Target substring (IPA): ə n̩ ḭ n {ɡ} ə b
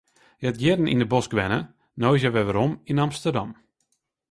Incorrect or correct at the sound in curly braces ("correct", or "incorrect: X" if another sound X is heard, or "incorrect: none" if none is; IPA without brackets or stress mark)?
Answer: incorrect: d